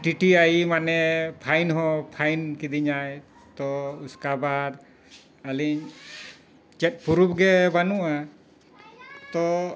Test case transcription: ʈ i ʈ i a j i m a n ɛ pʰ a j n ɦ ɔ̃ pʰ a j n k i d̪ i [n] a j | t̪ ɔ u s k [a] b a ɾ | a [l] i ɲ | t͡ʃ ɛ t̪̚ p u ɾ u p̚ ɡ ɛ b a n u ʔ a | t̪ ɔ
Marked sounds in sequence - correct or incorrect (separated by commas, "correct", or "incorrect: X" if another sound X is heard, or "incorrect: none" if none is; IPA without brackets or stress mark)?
incorrect: ɲ, correct, correct